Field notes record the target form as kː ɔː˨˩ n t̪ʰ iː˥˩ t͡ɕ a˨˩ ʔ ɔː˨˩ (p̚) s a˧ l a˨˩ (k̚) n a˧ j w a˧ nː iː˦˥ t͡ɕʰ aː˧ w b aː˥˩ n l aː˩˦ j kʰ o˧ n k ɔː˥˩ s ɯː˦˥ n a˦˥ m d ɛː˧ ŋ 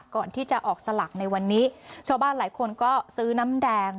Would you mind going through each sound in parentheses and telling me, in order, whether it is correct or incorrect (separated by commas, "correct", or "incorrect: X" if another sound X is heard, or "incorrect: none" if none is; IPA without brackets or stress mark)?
incorrect: k̚, correct